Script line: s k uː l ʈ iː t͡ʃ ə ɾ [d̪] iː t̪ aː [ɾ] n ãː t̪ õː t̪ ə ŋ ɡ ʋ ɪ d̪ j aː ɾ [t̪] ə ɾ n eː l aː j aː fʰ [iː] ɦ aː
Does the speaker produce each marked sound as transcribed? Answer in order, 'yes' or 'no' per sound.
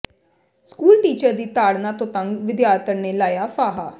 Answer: yes, no, yes, no

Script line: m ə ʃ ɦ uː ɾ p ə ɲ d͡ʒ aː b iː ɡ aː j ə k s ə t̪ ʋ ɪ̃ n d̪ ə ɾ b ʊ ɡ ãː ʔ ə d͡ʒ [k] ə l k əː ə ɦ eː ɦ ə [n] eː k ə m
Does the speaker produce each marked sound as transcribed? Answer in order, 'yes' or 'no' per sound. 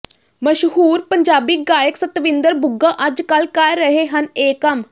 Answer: yes, yes

